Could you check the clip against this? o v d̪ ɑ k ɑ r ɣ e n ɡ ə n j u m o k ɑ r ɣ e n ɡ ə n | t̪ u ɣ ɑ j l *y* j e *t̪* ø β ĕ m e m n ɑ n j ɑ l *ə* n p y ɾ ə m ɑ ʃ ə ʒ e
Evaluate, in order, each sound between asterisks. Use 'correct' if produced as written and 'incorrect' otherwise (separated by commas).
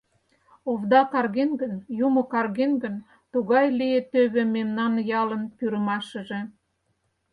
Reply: incorrect, correct, correct